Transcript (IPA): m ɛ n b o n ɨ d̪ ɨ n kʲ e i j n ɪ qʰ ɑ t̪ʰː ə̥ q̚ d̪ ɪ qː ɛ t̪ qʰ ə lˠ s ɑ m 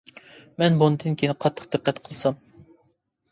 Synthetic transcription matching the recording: m ɛ n b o n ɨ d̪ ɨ n kʲ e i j n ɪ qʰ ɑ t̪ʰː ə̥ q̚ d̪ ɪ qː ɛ t̪ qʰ ə lˠ s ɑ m